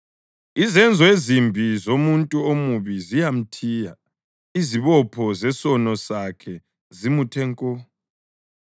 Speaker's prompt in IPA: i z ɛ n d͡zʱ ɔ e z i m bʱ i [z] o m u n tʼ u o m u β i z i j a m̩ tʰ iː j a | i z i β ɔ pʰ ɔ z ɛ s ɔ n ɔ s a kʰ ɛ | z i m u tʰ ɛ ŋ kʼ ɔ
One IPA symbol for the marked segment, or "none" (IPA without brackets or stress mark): z